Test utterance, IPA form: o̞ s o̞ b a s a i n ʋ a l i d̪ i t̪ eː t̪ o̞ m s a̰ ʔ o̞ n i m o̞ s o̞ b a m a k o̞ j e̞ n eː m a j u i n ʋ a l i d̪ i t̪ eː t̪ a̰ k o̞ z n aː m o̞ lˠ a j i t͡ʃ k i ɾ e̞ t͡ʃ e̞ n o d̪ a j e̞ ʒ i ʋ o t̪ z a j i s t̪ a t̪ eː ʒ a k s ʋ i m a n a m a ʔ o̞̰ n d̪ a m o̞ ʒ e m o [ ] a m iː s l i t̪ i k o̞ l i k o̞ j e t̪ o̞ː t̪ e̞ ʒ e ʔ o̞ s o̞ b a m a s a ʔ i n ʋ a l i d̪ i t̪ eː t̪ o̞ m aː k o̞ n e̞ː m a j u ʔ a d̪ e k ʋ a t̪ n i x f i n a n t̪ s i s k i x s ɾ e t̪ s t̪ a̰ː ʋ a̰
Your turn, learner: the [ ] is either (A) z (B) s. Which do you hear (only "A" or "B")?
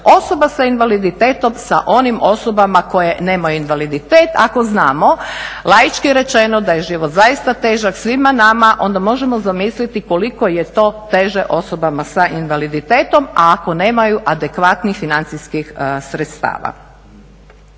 A